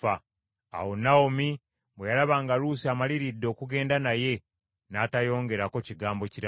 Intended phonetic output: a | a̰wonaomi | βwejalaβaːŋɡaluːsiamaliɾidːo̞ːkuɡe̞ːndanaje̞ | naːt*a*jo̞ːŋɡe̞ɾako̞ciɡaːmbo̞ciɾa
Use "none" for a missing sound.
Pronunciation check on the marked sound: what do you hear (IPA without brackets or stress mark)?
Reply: a